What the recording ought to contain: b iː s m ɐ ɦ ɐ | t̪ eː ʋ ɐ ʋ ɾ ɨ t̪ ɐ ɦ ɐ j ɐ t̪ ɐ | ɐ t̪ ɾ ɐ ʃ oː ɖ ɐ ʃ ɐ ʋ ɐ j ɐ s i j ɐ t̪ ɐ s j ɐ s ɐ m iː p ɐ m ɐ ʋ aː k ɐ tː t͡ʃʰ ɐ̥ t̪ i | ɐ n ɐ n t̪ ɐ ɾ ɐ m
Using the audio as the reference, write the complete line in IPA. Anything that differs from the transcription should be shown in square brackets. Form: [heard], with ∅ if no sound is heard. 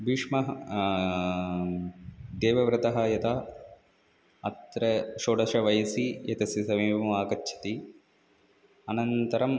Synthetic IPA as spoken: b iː [ʂ] m ɐ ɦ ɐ | [d̪] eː ʋ ɐ ʋ ɾ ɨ t̪ ɐ ɦ ɐ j ɐ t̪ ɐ | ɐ t̪ ɾ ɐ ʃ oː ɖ ɐ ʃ ɐ ʋ ɐ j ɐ s i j ɐ t̪ ɐ s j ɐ s ɐ m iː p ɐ m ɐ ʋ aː k ɐ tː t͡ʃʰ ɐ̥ t̪ i | ɐ n ɐ n t̪ ɐ ɾ ɐ m